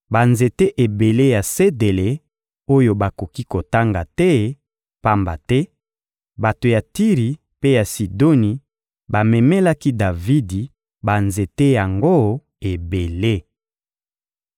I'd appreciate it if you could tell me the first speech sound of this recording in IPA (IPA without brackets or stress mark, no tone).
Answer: b